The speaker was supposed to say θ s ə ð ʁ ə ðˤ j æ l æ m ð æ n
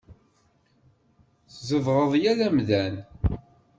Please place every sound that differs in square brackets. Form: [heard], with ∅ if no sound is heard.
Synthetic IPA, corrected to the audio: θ [z] ə [v] ʁ ə ðˤ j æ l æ m ð æ n